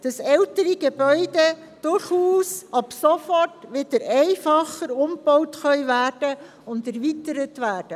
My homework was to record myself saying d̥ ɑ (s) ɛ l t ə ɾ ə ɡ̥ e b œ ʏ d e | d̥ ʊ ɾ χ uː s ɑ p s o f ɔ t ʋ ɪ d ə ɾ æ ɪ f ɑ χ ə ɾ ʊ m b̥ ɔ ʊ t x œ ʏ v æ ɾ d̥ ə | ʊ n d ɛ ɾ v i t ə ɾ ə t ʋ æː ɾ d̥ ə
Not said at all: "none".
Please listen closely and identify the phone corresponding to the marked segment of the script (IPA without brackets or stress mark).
s